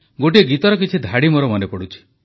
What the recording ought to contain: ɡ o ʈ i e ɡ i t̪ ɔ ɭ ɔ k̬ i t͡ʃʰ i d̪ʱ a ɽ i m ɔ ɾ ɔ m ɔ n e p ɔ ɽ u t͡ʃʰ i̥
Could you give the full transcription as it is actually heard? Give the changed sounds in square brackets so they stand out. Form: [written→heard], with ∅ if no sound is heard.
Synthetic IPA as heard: ɡ o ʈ i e ɡ i t̪ ɔ [ɭ→ɾ] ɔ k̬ i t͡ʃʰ i d̪ʱ a ɽ i m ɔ ɾ ɔ m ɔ n e p ɔ ɽ u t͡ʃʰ i̥